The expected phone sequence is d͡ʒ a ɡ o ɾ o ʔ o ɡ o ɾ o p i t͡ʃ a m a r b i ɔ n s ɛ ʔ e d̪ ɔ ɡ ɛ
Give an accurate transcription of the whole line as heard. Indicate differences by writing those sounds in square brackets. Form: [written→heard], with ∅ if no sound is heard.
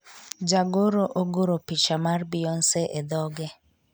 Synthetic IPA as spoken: d͡ʒ a ɡ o ɾ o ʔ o ɡ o ɾ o p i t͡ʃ a m a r b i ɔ n s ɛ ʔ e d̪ ɔ ɡ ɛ